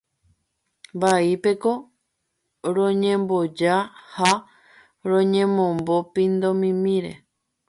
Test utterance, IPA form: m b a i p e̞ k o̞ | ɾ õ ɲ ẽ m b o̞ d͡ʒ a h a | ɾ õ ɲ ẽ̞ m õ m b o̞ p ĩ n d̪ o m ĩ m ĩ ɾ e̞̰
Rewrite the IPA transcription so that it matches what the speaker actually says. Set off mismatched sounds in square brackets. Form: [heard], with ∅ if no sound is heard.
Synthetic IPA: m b a i p e̞ k o̞ | ɾ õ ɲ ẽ m b o̞ d͡ʒ a h a | ɾ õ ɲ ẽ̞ m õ m b o̞ p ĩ n d̪ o m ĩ m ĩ ɾ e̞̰